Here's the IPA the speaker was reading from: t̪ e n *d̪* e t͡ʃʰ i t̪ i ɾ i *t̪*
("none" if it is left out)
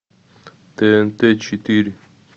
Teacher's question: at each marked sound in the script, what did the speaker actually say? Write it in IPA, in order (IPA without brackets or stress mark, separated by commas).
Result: t̪, none